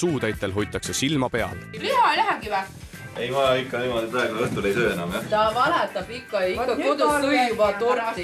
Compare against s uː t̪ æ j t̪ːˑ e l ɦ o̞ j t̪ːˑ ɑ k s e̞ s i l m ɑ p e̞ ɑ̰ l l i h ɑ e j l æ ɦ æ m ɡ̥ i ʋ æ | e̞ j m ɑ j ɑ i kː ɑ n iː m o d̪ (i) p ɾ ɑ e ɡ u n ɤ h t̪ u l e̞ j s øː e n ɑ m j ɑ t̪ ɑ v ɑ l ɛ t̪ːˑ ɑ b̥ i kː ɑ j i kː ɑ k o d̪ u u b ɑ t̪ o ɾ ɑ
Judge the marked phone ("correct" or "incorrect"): correct